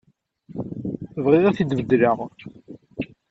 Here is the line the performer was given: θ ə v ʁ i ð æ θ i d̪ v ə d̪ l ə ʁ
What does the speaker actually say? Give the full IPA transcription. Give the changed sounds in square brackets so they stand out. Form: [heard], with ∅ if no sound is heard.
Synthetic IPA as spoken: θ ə v ʁ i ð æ θ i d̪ v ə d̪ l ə ʁ